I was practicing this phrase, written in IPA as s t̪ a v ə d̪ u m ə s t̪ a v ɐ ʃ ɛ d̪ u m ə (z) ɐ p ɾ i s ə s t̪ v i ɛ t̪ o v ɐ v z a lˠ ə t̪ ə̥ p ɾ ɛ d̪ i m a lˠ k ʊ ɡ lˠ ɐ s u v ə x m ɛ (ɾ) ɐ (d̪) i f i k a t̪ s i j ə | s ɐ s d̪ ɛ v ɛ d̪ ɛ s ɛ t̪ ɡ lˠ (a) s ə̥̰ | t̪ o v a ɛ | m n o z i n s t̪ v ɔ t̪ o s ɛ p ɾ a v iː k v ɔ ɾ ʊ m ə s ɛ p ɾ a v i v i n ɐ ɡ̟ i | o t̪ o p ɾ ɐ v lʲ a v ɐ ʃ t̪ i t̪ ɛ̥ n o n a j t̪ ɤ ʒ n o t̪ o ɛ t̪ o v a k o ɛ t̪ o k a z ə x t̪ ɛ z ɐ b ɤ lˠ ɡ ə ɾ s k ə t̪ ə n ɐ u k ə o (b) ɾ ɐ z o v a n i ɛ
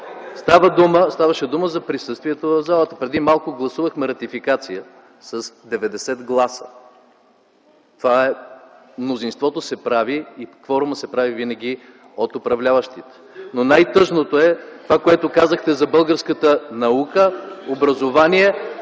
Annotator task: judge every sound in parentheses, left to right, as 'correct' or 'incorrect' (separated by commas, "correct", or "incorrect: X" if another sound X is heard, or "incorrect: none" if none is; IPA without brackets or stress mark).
correct, correct, incorrect: t̪, correct, correct